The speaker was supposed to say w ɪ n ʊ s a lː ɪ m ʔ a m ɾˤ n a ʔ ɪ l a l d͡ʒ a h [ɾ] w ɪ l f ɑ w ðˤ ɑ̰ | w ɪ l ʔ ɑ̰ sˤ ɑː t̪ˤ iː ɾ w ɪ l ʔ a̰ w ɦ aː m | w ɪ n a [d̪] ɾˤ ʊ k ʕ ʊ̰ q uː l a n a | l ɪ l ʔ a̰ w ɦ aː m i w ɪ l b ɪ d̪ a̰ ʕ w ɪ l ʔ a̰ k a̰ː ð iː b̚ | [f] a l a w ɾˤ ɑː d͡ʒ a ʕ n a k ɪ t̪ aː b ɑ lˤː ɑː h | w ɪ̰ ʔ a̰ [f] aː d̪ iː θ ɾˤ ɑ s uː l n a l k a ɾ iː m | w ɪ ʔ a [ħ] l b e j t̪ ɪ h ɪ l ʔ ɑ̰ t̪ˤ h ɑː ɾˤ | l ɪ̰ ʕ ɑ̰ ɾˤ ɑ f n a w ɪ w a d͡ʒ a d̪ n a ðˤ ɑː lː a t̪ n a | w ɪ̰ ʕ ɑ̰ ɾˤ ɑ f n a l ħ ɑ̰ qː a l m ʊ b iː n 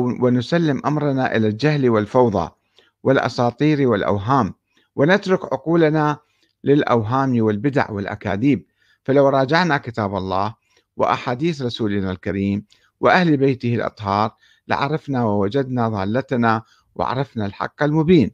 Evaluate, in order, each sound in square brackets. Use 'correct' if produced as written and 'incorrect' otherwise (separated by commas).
incorrect, incorrect, correct, incorrect, incorrect